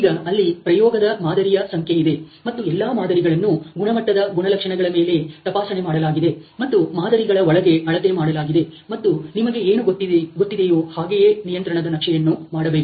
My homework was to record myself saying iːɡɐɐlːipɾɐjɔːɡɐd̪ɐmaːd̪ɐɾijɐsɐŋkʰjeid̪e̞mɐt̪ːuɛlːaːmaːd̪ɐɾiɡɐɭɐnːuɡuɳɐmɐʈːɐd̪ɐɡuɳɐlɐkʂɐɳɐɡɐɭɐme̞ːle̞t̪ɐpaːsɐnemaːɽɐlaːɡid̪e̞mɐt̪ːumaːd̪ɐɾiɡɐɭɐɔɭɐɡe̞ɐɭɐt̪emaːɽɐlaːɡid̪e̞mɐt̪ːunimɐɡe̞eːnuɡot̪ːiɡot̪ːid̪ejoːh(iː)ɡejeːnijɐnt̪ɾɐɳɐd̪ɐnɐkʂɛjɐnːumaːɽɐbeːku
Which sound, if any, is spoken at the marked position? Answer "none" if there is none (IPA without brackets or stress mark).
aː